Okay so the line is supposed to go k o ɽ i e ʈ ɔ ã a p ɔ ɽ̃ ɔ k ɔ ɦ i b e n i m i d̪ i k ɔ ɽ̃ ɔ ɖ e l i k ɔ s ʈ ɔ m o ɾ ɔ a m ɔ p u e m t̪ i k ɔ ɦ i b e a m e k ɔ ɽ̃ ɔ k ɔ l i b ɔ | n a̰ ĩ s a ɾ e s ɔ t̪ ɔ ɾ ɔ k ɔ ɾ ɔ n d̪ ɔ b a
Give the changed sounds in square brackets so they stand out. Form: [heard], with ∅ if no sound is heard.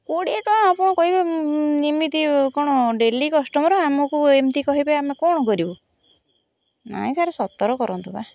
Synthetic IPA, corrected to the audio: k o ɽ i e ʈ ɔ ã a p ɔ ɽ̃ ɔ k ɔ ɦ i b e n i m i [t̪] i k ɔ ɽ̃ ɔ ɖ e l i k ɔ s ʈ ɔ m [ɔ] ɾ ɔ a m ɔ [k] u e m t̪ i k ɔ ɦ i b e a m e k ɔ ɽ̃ ɔ k ɔ [ɾ] i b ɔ | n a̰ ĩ s a ɾ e s ɔ t̪ ɔ ɾ ɔ k ɔ ɾ ɔ n [t̪] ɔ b a